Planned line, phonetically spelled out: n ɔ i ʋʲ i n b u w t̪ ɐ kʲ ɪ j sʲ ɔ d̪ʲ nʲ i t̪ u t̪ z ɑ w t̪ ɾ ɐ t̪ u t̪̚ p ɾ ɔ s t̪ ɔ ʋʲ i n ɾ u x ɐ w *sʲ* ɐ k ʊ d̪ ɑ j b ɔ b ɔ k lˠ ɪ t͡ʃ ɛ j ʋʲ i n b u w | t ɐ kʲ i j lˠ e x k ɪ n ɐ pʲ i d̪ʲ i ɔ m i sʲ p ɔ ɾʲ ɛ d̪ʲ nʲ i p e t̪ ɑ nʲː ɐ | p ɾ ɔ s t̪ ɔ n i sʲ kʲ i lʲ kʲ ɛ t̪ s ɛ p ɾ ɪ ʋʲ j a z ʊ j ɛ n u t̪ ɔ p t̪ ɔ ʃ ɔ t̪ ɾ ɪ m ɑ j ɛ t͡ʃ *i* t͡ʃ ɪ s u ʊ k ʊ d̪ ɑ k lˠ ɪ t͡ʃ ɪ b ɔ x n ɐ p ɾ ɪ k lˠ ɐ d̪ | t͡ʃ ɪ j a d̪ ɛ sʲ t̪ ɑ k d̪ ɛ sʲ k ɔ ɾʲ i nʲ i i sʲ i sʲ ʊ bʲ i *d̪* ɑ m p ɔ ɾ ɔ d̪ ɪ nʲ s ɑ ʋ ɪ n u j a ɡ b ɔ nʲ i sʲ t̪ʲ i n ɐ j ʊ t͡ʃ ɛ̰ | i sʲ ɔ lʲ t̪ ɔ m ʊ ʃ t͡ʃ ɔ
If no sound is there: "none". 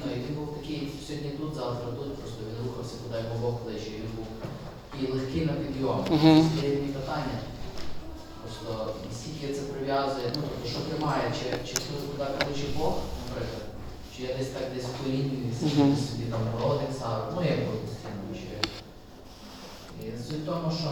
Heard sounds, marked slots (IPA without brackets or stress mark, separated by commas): sʲ, ɪ, t̪